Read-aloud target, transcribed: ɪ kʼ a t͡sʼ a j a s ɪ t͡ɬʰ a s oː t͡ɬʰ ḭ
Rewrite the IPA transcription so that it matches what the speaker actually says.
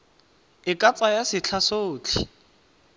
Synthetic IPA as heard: ɪ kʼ a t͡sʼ a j a s ɪ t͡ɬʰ a s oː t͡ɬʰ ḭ